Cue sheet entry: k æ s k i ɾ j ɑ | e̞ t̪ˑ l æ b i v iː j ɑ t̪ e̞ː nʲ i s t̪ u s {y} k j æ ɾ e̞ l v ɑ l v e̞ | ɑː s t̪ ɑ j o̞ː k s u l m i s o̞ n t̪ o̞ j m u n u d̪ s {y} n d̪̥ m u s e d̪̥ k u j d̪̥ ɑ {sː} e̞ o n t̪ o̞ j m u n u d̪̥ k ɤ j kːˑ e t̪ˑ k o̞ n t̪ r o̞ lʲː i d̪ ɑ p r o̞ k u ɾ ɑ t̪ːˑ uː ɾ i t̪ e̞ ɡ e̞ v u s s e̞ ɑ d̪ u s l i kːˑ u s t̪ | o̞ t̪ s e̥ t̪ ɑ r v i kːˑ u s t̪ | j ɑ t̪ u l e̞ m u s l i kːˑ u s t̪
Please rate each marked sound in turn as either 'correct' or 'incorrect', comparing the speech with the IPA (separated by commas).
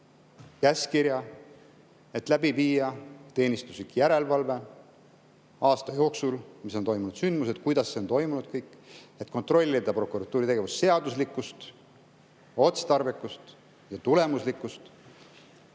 incorrect, correct, correct